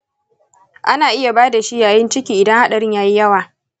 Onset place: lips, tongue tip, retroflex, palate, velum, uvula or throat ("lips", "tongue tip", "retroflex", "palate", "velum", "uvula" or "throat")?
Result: throat